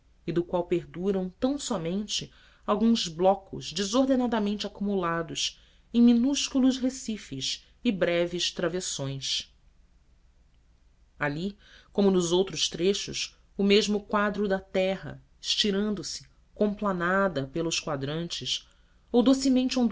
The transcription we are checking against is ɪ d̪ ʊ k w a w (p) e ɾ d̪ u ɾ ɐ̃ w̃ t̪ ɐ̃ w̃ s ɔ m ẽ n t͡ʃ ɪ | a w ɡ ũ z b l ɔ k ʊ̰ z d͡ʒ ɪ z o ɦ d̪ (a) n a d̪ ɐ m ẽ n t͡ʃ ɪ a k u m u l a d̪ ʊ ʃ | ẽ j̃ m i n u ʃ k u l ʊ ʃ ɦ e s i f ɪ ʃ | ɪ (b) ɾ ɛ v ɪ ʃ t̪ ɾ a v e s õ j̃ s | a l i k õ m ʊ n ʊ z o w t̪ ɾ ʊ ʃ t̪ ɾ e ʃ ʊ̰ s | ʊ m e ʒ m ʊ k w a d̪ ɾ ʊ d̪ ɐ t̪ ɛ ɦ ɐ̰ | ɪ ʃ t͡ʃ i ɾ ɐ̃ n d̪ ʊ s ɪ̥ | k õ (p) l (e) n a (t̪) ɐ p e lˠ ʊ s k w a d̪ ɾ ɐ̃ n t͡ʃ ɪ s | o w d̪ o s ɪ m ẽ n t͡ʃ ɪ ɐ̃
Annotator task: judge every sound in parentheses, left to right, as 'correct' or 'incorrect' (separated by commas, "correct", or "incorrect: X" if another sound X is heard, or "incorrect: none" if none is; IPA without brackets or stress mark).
correct, incorrect: e, correct, correct, incorrect: a, incorrect: d̪